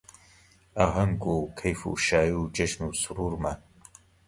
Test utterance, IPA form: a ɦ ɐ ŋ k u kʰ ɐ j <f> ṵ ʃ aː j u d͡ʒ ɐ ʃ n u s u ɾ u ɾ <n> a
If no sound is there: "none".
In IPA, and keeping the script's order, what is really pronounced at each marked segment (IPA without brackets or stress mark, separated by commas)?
f, m